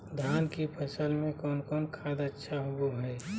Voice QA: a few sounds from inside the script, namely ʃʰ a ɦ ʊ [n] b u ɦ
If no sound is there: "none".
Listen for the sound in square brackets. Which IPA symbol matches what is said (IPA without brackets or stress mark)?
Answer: none